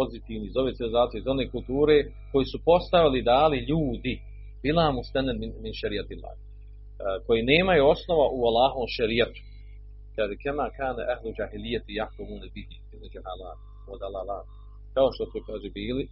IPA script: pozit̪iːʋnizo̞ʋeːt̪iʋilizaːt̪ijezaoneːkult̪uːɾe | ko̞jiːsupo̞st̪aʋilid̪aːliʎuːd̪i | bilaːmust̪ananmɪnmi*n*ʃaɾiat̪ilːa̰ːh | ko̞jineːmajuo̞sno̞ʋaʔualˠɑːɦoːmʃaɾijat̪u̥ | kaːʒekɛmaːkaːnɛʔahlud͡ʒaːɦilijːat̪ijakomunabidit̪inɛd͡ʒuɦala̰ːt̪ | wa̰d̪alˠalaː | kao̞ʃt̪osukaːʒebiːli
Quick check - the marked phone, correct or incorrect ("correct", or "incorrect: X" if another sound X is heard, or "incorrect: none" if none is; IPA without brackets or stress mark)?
correct